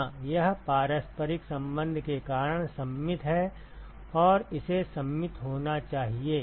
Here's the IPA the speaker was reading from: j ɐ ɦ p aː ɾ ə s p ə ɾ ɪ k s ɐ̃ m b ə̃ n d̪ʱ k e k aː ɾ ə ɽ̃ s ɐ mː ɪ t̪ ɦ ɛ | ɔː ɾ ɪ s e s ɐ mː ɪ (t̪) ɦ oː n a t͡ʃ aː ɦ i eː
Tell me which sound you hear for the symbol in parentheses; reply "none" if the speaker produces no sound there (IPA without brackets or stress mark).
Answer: t̪